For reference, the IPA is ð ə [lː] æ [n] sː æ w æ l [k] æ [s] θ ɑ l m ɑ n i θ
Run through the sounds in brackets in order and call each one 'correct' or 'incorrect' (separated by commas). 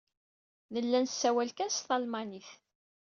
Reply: correct, correct, correct, correct